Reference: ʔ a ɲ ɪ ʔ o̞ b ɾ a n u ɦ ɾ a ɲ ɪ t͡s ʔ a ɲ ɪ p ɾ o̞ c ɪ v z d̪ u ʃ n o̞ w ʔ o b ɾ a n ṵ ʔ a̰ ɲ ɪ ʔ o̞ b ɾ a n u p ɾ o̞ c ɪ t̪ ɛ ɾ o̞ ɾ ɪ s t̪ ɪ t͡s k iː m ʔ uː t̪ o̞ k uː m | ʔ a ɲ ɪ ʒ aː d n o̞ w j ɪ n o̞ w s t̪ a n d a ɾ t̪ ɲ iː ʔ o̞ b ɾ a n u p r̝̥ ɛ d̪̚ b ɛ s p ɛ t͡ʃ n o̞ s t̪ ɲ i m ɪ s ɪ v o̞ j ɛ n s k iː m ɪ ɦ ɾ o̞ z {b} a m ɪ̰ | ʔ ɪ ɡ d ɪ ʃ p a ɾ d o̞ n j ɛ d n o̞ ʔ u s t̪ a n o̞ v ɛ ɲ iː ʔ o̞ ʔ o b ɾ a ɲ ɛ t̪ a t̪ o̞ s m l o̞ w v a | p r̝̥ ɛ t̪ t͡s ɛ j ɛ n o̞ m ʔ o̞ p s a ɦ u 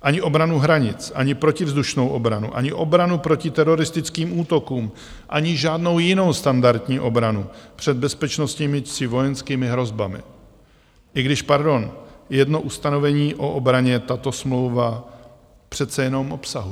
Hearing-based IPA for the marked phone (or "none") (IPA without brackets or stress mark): b